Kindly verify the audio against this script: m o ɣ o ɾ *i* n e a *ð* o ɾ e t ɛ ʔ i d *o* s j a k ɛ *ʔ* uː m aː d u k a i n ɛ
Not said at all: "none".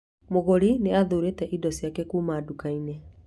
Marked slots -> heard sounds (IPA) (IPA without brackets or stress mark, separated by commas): i, ð, ɔ, k